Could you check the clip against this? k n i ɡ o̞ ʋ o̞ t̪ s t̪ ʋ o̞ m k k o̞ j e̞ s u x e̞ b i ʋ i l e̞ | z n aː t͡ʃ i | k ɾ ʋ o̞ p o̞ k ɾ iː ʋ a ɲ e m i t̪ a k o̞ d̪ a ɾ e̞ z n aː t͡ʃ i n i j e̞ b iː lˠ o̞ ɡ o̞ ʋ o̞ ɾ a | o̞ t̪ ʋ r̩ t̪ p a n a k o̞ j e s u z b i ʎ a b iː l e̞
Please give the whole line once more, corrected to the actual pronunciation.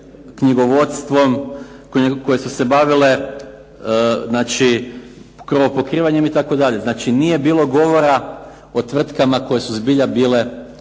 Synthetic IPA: k ɲ i ɡ o̞ ʋ o̞ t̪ s t̪ ʋ o̞ m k k o̞ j e̞ s u s e̞ b a ʋ i l e̞ | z n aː t͡ʃ i | k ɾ ʋ o̞ p o̞ k ɾ iː ʋ a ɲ e m i t̪ a k o̞ d̪ a ʎ e̞ z n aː t͡ʃ i n i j e̞ b iː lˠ o̞ ɡ o̞ ʋ o̞ ɾ a | o̞ t̪ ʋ r̩ t̪ k a m a k o̞ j e s u z b i ʎ a b iː l e̞

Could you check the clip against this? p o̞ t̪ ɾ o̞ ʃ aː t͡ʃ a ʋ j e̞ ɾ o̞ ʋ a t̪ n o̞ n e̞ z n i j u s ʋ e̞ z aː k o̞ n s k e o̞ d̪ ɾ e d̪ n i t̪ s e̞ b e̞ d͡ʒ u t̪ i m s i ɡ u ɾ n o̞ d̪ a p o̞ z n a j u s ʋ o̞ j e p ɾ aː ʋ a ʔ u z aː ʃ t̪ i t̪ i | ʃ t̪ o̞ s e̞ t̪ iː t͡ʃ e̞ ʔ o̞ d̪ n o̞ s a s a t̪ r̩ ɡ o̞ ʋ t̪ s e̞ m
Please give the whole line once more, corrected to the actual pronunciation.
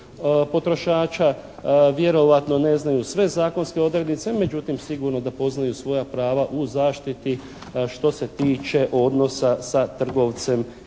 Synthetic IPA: p o̞ t̪ ɾ o̞ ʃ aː t͡ʃ a ʋ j e̞ ɾ o̞ ʋ a t̪ n o̞ n e̞ z n a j u s ʋ e̞ z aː k o̞ n s k e o̞ d̪ ɾ e d̪ n i t̪ s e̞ m e̞ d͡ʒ u t̪ i m s i ɡ u ɾ n o̞ d̪ a p o̞ z n a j u s ʋ o̞ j a p ɾ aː ʋ a ʔ u z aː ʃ t̪ i t̪ i | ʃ t̪ o̞ s e̞ t̪ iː t͡ʃ e̞ ʔ o̞ d̪ n o̞ s a s a t̪ r̩ ɡ o̞ ʋ t̪ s e̞ m

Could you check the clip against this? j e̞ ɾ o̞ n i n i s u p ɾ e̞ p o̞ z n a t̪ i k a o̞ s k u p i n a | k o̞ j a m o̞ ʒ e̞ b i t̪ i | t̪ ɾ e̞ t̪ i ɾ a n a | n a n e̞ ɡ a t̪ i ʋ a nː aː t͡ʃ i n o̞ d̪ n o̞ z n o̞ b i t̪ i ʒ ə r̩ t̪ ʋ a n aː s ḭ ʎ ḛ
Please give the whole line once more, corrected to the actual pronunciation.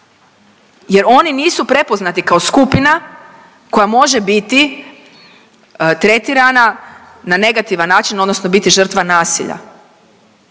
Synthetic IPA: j e̞ ɾ o̞ n i n iː s u p ɾ e̞ p o̞ z n a t̪ i k a o̞ s k u p i n a | k o̞ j a m o̞ ʒ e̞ b i t̪ i | t̪ ɾ e̞ t̪ i ɾ a n a | n a n e̞ ɡ a t̪ i ʋ a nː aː t͡ʃ i n o̞ d̪ n o̞ s n o̞ b i t̪ i ʒ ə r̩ t̪ ʋ a n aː s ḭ ʎ a̰

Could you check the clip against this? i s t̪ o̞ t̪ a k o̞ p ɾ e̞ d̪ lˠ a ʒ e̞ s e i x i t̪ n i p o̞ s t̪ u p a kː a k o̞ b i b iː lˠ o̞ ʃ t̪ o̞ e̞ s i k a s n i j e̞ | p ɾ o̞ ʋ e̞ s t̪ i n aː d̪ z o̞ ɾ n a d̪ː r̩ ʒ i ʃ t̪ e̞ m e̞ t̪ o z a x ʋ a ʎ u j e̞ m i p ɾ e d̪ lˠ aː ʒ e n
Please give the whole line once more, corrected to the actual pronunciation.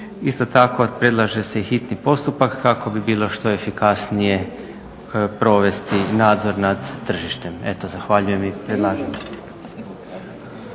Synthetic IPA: i s t̪ o̞ t̪ a k o̞ p ɾ e̞ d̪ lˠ a ʒ e̞ s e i x i t̪ n i p o̞ s t̪ u p a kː a k o̞ b i b iː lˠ o̞ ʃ t̪ o̞ e̞ f i k a s n i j e̞ | p ɾ o̞ ʋ e̞ s t̪ i n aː d̪ z o̞ ɾ n a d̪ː r̩ ʒ i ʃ t̪ e̞ m e̞ t̪ o z a x ʋ a ʎ u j e̞ m i p ɾ e d̪ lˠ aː ʒ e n

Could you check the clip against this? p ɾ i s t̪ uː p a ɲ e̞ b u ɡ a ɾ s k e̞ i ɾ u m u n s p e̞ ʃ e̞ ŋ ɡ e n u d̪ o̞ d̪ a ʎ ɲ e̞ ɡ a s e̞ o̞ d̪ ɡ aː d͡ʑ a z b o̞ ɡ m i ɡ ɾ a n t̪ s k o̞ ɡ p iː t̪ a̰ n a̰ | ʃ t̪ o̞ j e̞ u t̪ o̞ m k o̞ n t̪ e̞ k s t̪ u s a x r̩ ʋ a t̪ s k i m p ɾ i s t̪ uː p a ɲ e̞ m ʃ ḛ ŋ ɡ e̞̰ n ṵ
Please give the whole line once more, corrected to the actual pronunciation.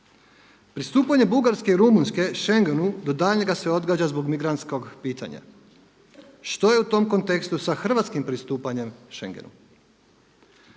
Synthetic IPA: p ɾ i s t̪ uː p a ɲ e̞ b u ɡ a ɾ s k e̞ i ɾ u m u n s k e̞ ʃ e̞ ŋ ɡ e n u d̪ o̞ d̪ a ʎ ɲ e̞ ɡ a s e̞ o̞ d̪ ɡ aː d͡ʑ a z b o̞ ɡ m i ɡ ɾ a n t̪ s k o̞ ɡ p iː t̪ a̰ ɲ a̰ | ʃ t̪ o̞ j e̞ u t̪ o̞ m k o̞ n t̪ e̞ k s t̪ u s a x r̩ ʋ a t̪ s k i m p ɾ i s t̪ uː p a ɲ e̞ m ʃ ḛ ŋ ɡ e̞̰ n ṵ

